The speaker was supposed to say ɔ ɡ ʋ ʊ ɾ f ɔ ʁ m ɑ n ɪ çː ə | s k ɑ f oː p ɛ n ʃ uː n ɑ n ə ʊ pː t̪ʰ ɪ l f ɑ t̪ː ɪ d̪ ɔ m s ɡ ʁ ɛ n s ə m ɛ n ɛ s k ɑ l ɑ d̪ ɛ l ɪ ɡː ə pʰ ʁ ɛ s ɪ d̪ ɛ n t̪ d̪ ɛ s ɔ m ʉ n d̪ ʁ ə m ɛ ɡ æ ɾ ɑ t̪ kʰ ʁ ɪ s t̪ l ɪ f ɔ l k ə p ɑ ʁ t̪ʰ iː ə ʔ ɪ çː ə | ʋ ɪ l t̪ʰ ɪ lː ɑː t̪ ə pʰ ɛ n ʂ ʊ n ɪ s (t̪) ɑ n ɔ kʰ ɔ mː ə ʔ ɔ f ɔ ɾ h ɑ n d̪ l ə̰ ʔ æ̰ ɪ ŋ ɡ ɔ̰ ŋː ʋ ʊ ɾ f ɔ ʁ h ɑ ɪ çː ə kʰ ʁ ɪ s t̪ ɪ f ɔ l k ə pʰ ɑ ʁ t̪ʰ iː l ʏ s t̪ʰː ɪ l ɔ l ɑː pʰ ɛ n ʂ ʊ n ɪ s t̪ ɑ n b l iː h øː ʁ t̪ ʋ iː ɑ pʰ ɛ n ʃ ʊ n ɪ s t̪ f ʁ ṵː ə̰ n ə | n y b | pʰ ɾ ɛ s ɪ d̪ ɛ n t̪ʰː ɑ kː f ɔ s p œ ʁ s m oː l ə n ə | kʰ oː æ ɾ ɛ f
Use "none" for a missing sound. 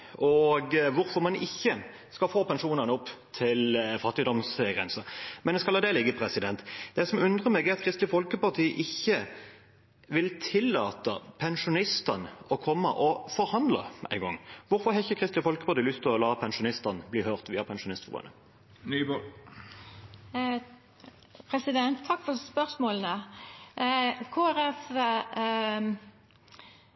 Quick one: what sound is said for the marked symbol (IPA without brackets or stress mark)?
t̪